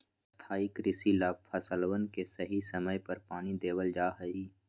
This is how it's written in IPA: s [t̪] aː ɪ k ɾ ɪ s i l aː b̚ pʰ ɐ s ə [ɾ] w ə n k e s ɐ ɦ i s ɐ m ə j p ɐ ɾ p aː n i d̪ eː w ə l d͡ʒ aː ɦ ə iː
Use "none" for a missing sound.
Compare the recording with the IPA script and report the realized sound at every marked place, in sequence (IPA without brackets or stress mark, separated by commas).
t̪ʰ, l